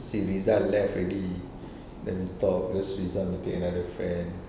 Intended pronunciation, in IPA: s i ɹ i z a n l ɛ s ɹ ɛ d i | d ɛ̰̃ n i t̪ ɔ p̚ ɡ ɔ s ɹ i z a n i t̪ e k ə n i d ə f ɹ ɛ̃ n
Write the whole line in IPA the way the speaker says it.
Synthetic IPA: s i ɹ i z a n l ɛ f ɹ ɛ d i | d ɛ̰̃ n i t̪ ɔ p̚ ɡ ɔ s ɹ i z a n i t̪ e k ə n a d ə f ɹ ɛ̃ n